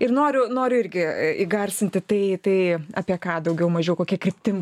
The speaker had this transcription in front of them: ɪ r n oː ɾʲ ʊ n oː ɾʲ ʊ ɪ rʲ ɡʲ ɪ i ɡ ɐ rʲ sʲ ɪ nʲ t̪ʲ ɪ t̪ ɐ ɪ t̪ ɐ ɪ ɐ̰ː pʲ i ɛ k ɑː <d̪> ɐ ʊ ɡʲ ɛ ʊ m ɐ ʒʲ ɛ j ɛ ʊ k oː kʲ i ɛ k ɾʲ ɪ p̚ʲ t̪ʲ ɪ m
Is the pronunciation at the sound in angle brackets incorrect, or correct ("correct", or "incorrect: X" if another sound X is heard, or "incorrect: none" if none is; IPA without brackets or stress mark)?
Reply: correct